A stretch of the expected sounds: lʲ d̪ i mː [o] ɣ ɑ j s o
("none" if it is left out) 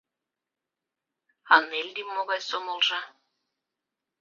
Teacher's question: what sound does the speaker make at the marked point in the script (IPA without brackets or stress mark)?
o